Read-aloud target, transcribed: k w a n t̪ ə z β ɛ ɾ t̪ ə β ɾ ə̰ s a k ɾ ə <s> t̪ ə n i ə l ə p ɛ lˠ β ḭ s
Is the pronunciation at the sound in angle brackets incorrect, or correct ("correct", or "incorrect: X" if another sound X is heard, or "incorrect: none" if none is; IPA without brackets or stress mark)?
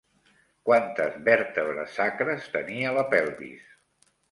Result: correct